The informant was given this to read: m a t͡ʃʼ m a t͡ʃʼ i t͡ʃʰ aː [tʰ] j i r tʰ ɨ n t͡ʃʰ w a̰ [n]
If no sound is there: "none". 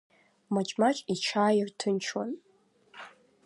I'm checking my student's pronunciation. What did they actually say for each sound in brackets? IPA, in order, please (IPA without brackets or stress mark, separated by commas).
none, n